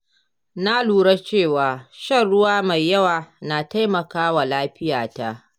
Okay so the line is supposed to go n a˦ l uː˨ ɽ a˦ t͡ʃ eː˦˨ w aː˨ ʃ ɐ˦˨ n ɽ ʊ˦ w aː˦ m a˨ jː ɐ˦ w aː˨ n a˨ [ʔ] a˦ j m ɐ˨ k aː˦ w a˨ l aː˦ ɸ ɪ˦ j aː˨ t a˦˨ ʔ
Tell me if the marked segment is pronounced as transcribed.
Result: no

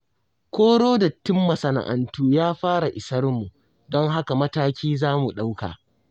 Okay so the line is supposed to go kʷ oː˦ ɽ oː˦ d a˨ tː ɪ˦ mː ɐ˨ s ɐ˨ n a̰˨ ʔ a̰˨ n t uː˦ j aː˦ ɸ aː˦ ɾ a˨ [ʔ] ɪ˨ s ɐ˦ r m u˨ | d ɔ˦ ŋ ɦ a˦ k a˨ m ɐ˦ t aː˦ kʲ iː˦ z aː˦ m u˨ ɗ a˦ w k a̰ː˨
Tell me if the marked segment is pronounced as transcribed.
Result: yes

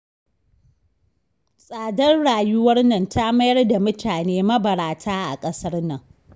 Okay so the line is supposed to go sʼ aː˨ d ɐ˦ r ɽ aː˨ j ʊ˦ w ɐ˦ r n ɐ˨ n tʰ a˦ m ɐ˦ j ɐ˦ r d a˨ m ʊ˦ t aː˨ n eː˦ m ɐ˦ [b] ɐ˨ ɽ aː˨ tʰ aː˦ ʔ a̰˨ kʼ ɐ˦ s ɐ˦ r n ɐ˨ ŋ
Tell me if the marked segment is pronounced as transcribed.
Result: yes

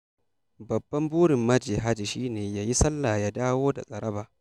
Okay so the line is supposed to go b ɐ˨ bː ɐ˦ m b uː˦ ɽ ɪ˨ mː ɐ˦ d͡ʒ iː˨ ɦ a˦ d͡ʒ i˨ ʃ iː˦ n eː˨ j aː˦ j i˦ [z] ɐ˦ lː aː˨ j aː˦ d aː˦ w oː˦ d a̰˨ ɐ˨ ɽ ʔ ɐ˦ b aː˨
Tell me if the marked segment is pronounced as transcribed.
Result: no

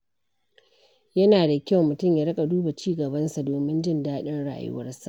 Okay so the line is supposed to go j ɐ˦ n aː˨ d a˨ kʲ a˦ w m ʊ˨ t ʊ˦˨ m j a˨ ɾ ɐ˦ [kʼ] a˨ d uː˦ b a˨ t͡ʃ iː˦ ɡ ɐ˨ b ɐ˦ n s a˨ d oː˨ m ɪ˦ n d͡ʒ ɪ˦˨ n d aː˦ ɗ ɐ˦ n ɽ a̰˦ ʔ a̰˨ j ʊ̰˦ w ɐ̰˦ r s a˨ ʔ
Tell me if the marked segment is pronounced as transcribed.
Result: yes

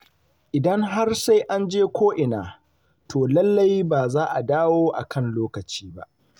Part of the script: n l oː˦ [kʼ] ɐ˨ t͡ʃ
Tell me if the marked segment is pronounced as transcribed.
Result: no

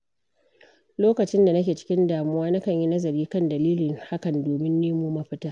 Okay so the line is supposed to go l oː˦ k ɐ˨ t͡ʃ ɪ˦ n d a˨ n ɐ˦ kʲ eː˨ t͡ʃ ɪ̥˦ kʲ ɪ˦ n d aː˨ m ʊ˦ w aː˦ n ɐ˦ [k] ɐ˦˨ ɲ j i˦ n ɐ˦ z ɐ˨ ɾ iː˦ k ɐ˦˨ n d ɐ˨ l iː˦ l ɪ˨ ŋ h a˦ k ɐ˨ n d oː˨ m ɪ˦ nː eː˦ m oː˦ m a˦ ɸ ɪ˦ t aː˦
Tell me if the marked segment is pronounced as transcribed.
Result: yes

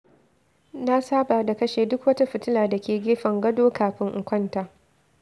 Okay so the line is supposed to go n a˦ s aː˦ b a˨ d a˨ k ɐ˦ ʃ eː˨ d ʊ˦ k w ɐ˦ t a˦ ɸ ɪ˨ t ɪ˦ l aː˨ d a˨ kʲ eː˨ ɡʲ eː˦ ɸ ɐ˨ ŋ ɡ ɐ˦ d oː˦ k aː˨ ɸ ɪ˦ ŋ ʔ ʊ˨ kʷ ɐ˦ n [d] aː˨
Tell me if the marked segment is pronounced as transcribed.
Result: no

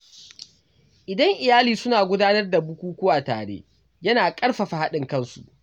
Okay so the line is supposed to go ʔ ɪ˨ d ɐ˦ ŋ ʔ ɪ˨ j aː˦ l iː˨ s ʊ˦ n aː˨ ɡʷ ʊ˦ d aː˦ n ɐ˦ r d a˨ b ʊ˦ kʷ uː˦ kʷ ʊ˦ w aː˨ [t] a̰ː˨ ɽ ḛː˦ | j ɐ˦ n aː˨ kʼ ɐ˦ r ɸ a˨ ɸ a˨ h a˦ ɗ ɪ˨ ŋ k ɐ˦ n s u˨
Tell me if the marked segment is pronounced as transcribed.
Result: yes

